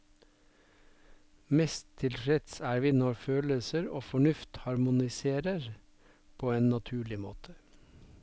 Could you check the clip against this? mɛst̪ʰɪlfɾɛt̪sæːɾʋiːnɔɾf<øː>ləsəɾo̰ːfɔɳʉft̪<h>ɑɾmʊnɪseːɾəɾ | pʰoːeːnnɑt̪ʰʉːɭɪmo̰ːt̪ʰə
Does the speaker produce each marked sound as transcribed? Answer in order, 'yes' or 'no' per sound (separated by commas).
yes, yes